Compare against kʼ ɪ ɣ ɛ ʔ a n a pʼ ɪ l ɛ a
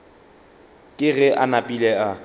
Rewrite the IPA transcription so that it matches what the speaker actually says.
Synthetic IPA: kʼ ɪ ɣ ɛ ʔ a n a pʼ i l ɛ a